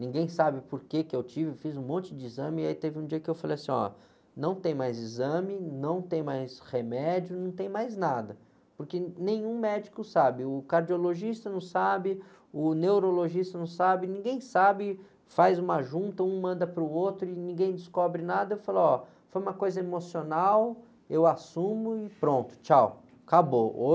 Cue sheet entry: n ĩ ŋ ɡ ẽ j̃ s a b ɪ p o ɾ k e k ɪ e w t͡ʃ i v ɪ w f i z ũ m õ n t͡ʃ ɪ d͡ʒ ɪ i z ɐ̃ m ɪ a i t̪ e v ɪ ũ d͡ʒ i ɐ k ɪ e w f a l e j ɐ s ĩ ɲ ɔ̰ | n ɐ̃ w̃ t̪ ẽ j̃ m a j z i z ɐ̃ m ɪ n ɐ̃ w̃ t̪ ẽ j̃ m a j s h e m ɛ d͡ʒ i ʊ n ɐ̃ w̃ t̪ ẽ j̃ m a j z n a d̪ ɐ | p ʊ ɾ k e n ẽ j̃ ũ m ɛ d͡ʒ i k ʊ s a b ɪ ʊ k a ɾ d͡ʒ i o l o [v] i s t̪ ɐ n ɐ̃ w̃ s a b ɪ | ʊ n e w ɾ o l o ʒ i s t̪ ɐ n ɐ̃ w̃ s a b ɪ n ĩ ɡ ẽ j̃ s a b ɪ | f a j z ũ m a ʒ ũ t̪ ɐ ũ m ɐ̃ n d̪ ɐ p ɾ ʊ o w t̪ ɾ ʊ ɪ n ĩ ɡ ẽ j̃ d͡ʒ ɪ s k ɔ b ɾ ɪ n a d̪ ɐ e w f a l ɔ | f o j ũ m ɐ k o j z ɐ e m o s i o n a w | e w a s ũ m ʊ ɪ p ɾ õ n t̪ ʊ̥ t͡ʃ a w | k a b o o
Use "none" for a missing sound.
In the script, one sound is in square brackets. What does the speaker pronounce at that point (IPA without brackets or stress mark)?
ʒ